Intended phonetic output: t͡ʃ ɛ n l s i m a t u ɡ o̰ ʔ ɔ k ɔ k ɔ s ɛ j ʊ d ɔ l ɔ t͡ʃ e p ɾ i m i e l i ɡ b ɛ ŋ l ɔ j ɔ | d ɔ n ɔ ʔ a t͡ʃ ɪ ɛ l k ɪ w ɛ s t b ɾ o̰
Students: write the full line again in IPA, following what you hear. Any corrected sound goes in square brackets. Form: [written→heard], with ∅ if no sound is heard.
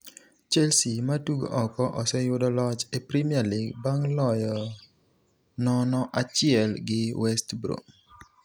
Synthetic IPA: t͡ʃ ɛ [n→∅] l s i m a t u ɡ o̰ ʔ ɔ k ɔ [k→ʔ] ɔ s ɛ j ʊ d ɔ l ɔ t͡ʃ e p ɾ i m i [e→a] l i ɡ b [ɛ→a] ŋ l ɔ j ɔ | [d→n] ɔ n ɔ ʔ a t͡ʃ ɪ ɛ l [k→ɡ] ɪ w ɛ s t b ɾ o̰